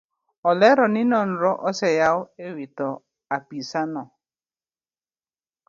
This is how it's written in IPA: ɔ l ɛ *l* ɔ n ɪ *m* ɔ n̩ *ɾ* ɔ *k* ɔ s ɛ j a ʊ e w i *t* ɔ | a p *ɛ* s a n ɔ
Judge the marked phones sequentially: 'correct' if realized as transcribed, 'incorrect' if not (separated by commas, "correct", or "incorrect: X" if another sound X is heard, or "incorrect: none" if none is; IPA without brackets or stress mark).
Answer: incorrect: ɾ, incorrect: n, correct, incorrect: ʔ, correct, incorrect: i